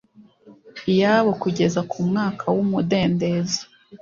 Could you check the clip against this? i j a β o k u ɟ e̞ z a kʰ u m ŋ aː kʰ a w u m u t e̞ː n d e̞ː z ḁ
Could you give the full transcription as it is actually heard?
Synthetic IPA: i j a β o k u ɟ e̞ z a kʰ u m ŋ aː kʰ a w u m u d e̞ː n d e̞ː z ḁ